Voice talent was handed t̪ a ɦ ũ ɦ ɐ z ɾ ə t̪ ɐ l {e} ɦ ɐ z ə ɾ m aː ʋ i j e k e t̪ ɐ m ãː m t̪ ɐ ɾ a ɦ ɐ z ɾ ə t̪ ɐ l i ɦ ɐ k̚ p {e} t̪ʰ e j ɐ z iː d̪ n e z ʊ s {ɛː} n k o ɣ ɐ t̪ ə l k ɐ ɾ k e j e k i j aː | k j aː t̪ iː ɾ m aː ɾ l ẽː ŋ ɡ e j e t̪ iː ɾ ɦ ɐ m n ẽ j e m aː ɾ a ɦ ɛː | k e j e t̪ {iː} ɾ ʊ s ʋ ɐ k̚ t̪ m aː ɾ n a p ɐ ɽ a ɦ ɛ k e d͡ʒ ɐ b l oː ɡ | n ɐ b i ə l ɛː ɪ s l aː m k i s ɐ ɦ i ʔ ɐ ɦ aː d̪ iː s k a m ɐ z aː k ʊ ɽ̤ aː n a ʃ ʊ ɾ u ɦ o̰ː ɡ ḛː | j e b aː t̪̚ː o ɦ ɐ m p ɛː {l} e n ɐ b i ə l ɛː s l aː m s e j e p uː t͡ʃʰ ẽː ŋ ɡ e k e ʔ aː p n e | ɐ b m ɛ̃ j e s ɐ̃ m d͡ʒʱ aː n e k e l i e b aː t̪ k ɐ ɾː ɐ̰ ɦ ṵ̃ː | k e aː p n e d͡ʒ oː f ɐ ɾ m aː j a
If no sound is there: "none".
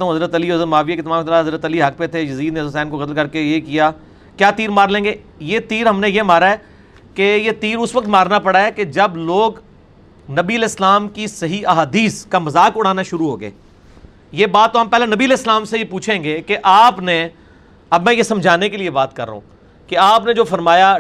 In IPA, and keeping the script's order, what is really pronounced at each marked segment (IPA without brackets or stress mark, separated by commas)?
i, e, ɛː, iː, l